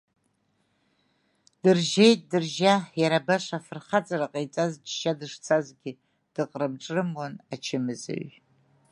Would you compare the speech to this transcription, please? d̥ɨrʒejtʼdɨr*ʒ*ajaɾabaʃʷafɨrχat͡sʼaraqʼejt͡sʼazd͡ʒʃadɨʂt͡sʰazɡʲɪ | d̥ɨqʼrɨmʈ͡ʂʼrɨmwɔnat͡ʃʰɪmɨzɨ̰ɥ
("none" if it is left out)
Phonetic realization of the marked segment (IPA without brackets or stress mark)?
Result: ʒ